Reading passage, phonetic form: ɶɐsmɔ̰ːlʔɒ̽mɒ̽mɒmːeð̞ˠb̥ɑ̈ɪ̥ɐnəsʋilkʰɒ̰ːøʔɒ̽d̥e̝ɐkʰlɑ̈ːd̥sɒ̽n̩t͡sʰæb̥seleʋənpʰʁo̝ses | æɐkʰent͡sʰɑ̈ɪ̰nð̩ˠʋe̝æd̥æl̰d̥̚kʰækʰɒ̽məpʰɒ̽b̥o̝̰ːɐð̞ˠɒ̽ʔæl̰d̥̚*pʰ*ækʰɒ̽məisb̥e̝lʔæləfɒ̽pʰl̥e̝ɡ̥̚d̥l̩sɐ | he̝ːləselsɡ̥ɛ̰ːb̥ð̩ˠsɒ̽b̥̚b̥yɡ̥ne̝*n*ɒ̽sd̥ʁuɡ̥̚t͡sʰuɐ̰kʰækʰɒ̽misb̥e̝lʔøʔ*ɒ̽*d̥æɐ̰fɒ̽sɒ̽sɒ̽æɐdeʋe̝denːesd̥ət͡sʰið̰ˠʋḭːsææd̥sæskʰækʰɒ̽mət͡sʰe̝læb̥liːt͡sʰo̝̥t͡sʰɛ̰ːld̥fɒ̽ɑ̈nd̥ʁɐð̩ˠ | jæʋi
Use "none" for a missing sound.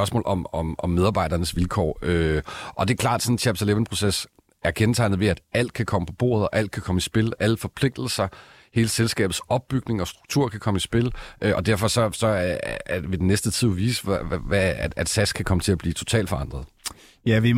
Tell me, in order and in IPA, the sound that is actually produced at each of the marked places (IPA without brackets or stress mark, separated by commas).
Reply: kʰ, ŋ, ɒ̽